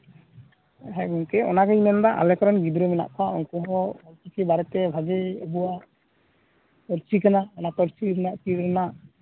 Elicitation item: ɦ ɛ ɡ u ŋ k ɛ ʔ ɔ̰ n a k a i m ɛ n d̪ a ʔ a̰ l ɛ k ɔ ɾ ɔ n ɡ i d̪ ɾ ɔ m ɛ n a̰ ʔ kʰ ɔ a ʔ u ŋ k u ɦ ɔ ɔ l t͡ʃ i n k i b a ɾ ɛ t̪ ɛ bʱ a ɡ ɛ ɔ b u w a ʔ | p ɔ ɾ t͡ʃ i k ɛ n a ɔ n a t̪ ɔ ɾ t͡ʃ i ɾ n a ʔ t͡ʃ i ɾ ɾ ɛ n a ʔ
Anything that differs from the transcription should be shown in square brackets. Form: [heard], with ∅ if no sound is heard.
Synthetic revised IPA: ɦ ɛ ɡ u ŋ k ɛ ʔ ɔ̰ n a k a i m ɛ n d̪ a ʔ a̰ l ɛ k ɔ ɾ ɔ n ɡ i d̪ ɾ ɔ m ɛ n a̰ ʔ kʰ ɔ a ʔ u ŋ k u ɦ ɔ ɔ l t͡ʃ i [∅] k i b a ɾ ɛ t̪ ɛ bʱ a ɡ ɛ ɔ b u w a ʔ | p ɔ ɾ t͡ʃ i k [a] n a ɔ n a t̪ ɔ ɾ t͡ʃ i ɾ n a ʔ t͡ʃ i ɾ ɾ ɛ n a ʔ